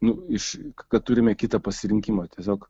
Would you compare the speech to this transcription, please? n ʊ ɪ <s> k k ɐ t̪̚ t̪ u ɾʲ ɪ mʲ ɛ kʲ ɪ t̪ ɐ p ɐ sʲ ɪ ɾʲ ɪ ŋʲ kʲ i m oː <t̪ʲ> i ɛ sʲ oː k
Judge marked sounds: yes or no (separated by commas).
no, yes